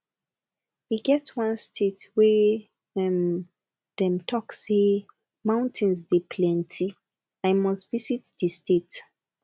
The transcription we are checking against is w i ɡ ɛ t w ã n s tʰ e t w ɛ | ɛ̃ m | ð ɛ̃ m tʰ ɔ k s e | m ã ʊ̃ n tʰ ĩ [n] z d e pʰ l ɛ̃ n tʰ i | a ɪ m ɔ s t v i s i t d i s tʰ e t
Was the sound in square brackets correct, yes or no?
yes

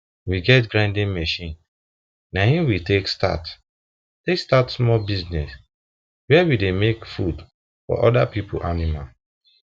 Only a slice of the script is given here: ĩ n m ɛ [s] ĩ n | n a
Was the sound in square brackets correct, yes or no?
no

